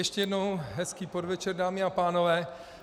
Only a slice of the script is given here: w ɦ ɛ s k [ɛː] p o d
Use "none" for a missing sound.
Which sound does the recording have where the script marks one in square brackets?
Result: iː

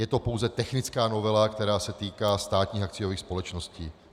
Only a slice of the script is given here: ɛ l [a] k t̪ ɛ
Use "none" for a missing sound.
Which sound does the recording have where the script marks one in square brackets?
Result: a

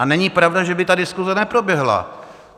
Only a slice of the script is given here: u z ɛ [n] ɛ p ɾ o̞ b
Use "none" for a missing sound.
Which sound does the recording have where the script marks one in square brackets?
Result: n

